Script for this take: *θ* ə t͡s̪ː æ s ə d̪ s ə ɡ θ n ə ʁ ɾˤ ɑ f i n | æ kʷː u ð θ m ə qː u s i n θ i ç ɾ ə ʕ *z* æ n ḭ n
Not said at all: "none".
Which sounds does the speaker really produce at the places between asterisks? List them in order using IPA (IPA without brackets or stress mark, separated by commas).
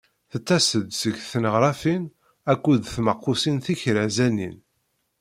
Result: θ, z